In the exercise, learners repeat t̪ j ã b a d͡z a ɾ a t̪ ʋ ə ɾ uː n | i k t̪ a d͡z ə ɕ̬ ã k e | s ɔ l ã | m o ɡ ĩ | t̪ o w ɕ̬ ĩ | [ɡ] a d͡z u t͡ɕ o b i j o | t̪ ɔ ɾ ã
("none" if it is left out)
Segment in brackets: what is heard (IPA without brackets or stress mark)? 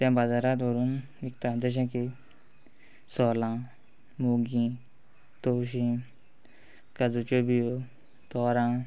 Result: k